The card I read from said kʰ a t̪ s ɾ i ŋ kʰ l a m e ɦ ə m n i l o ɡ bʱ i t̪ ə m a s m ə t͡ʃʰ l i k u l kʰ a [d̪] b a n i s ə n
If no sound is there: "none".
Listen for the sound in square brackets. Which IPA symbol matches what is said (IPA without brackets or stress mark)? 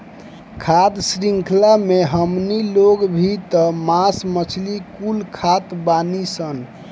t̪